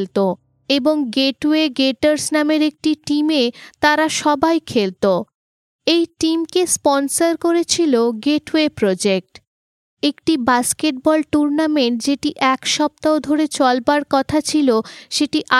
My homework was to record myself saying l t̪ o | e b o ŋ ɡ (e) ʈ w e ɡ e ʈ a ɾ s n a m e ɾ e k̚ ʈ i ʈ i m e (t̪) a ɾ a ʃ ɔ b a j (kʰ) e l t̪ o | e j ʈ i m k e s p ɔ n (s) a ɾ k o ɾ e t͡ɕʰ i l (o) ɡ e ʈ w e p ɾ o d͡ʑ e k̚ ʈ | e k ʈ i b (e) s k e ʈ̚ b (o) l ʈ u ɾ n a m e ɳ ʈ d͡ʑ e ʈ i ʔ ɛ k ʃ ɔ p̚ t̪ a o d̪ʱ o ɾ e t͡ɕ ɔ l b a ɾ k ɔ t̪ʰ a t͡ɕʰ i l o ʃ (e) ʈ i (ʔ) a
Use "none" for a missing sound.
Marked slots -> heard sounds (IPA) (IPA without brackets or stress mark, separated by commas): e, t̪, kʰ, s, o, a, ɔ, e, ʔ